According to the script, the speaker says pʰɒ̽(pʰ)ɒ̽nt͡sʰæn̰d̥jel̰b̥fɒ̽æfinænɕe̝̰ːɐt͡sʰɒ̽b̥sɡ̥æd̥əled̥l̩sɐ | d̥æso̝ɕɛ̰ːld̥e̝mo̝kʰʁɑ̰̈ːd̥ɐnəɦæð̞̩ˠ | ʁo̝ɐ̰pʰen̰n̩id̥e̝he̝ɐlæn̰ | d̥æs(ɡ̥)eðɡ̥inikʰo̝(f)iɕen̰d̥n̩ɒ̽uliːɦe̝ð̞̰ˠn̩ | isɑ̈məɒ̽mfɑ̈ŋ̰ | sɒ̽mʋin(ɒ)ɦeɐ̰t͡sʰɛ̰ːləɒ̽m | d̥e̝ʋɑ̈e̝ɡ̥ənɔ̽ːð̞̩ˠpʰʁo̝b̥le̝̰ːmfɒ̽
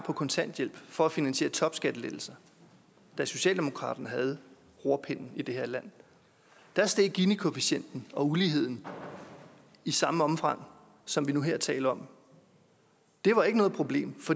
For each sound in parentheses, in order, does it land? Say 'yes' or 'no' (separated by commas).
no, no, yes, no